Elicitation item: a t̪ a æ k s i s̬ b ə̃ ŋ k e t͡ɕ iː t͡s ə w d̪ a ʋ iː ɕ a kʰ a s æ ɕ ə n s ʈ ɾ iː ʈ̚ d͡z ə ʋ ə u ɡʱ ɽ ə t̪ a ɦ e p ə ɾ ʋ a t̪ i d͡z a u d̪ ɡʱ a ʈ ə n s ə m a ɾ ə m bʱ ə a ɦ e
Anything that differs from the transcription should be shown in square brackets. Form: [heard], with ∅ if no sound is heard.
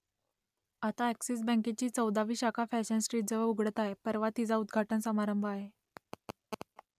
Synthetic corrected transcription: a t̪ a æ k s i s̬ b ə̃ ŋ k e t͡ɕ iː t͡s ə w d̪ a ʋ iː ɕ a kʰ a [f] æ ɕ ə n s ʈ ɾ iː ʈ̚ d͡z ə ʋ ə u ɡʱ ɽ ə t̪ a ɦ e p ə ɾ ʋ a t̪ i d͡z a u d̪ ɡʱ a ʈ ə n s ə m a ɾ ə m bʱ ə a ɦ e